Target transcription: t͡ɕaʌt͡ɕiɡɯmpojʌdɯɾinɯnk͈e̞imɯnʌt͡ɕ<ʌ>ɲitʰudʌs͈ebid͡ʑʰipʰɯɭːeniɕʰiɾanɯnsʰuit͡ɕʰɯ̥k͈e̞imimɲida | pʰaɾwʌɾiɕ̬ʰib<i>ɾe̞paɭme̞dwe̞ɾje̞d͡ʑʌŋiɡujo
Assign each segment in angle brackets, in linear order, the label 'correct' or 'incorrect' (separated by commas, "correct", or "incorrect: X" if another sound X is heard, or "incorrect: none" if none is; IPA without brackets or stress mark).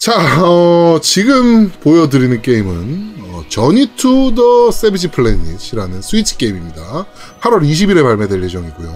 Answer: correct, correct